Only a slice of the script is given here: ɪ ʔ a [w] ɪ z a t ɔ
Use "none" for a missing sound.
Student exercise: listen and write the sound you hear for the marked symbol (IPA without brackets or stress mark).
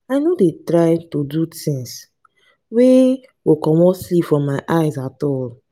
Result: none